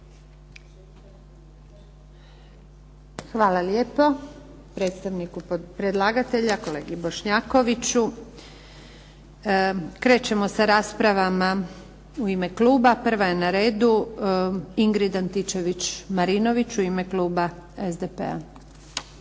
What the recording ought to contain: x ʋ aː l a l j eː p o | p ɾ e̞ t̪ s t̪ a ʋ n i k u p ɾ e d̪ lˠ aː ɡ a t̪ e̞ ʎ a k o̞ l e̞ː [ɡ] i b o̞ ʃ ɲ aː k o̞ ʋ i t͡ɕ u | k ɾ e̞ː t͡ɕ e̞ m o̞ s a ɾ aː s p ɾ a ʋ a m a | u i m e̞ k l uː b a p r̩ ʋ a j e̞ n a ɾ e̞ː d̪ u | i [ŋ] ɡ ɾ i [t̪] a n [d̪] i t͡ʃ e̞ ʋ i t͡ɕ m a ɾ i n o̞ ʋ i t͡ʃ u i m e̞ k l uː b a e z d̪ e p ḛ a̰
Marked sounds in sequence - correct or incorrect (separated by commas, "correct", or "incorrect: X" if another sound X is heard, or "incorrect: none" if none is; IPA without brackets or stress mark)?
correct, correct, incorrect: d̪, incorrect: t̪